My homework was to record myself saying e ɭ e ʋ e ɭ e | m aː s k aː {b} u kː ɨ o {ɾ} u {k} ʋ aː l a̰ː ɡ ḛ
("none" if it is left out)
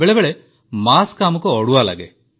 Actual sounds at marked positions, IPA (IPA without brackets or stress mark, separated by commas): m, ɽ, none